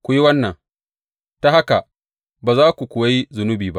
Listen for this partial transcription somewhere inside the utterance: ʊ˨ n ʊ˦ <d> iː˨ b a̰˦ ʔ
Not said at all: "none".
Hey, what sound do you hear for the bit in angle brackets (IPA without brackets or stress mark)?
b